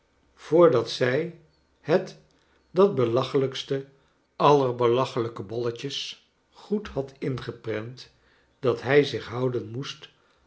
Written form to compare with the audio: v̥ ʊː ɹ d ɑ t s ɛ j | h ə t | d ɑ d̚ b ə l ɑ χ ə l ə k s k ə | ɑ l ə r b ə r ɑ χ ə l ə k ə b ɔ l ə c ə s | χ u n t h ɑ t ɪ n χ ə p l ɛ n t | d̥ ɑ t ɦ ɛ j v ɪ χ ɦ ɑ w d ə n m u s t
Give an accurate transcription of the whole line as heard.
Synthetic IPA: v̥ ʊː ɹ d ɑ t s ɛ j | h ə t | d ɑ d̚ b ə l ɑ χ ə l ə k s t ə | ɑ l ə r b ə l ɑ χ ə l ə k ə b ɔ l ə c ə s | χ u t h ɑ t ɪ n χ ə p r ɛ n t | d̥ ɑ t ɦ ɛ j z ɪ χ ɦ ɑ w d ə n m u s t

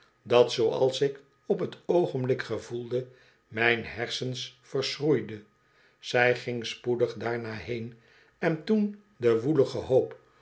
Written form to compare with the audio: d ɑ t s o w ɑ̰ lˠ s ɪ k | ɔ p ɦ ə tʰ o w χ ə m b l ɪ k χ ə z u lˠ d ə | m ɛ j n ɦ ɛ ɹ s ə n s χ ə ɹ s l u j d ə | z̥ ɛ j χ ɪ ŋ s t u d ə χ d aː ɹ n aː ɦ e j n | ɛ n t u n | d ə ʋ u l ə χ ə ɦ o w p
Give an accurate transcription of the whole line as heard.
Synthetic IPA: d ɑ t s o w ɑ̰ lˠ s ɪ k | ɔ p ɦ ə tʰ o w χ ə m b l ɪ k χ ə v u lˠ d ə | m ɛ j n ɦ ɛ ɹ s ə n s f ə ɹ s r u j d ə | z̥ ɛ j χ ɪ ŋ s p u d ə χ d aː ɹ n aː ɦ e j n | ɛ n t u n | d ə ʋ u l ə χ ə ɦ o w p

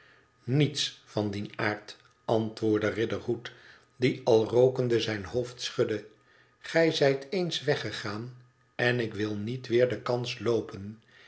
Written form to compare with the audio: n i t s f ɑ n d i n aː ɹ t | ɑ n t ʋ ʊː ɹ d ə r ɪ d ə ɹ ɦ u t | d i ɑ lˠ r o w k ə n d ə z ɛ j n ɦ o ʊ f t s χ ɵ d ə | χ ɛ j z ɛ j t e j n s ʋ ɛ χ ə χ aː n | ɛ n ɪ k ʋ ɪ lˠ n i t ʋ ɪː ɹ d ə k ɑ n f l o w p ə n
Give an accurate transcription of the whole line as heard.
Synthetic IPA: n i t s f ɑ n d i n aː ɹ t | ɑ n t ʋ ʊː ɹ d ə r ɪ d ə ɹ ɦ u t | d i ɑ lˠ r o w k ə n d ə z ɛ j n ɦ o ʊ f t s χ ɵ d ə | χ ɛ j z ɛ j t e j n s ʋ ɛ χ ə χ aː n | ɛ n ɪ k ʋ ɪ lˠ n i t ʋ ɪː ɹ d ə k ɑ n s l o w p ə n

